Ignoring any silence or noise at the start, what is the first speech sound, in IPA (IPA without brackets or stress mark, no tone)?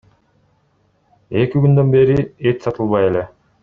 e̞